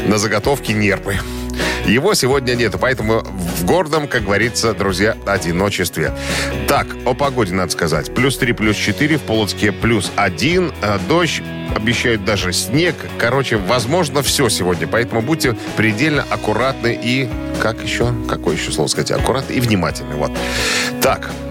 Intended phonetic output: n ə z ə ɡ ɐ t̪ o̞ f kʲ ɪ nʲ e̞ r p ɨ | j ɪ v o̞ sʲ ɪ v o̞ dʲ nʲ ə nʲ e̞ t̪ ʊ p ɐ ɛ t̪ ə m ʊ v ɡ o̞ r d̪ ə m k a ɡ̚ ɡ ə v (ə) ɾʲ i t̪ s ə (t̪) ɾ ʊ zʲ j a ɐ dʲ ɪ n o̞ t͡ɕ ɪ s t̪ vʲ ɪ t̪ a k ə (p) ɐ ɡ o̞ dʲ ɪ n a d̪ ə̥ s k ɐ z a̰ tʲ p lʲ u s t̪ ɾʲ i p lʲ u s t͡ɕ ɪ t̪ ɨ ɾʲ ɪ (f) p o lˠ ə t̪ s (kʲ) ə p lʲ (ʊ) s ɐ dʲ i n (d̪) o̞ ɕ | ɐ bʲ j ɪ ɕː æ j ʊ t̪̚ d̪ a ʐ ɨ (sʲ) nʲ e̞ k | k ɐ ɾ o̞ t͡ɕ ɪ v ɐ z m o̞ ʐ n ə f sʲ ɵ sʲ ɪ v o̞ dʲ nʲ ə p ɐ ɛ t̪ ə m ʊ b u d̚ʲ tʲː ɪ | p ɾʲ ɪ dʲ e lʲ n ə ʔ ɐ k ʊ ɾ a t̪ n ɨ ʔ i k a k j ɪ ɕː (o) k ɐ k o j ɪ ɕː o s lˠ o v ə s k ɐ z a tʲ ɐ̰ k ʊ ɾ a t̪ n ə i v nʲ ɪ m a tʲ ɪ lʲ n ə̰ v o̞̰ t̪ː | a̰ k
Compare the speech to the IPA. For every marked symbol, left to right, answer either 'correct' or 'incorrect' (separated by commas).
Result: incorrect, incorrect, correct, correct, correct, incorrect, correct, correct, correct